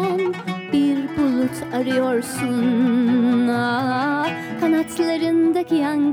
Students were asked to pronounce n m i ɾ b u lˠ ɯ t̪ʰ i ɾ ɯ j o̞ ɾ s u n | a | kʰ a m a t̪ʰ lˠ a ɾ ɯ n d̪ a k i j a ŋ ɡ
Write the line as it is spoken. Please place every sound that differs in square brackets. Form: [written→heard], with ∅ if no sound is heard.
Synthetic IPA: n [m→b] i ɾ b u lˠ [ɯ→u] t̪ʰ [i→a] ɾ ɯ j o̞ ɾ s u n | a | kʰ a [m→n] a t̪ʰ lˠ a ɾ ɯ n d̪ a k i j a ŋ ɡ